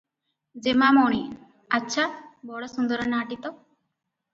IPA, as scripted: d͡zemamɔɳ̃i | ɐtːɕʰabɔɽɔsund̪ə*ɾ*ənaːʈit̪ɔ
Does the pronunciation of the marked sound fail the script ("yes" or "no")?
no